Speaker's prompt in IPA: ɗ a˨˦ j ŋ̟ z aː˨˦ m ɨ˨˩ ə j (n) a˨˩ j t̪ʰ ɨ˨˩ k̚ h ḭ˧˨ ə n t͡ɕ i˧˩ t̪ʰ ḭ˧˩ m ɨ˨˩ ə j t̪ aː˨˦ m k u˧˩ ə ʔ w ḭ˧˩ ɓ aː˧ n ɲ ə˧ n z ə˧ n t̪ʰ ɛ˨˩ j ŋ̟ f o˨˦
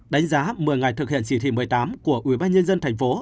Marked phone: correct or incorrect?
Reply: incorrect